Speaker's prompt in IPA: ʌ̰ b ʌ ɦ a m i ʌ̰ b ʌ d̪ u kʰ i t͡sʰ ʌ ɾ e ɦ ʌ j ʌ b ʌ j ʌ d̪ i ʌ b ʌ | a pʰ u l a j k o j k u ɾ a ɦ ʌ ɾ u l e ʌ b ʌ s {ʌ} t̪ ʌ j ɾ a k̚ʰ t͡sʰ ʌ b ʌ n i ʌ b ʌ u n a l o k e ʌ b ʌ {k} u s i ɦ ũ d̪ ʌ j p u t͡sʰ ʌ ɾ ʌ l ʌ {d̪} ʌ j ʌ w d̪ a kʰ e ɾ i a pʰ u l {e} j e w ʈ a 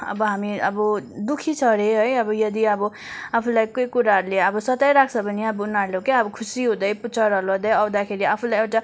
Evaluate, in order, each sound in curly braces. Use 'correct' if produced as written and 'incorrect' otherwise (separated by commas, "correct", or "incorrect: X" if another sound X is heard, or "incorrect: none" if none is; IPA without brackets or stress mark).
correct, incorrect: kʰ, correct, incorrect: a